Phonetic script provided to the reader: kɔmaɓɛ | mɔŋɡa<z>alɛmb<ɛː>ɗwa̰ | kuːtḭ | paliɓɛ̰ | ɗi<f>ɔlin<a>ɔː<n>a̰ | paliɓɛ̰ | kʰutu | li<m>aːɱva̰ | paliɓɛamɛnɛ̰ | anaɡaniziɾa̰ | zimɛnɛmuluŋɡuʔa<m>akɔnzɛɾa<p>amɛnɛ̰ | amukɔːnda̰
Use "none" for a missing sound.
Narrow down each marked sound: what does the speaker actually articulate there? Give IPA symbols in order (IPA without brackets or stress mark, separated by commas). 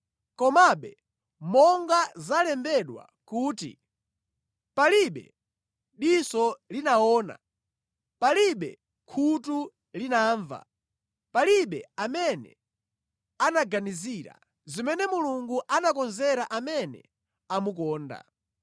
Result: z, ɛ, s, a, n, n, n, ʔ